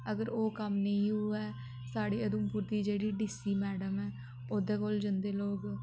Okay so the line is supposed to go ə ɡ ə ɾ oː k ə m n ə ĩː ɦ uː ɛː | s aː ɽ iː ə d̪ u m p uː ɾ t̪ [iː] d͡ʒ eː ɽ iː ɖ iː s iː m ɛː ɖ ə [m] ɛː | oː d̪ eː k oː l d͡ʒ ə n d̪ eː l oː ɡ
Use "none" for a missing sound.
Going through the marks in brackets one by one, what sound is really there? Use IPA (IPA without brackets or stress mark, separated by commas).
iː, m